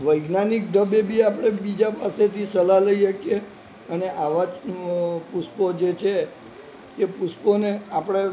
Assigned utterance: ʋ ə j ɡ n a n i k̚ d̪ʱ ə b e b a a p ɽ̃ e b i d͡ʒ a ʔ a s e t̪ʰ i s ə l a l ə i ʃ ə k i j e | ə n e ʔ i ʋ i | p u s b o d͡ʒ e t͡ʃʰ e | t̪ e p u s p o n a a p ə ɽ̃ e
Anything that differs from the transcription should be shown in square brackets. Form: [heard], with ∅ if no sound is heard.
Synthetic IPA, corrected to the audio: ʋ ə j ɡ n a n i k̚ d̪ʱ ə b e b [i] a p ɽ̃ e b i d͡ʒ a [p] a s e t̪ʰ i s ə l a l ə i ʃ ə k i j e | ə n e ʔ [a] ʋ [a] | p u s [p] o d͡ʒ e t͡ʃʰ e | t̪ e p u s p o n [e] a p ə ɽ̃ e